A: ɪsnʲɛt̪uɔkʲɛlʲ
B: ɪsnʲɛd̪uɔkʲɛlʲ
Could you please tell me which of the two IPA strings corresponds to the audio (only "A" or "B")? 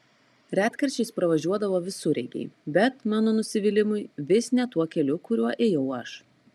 A